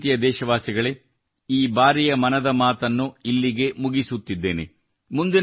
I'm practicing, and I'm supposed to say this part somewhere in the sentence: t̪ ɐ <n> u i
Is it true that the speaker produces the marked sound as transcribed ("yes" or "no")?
no